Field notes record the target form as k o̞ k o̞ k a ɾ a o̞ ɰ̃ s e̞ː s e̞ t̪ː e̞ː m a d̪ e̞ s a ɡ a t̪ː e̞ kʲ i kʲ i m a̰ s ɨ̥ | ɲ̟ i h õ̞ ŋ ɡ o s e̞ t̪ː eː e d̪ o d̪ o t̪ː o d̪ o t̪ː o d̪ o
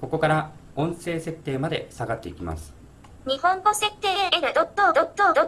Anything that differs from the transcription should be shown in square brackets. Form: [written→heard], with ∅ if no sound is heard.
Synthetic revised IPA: k o̞ k o̞ k a ɾ a [o̞→õ̞] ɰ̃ s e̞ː s e̞ t̪ː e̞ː m a d̪ e̞ s a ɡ a t̪ː e̞ [kʲ→∅] i kʲ i m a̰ s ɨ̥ | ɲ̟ i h õ̞ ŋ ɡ o s e̞ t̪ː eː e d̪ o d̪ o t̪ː o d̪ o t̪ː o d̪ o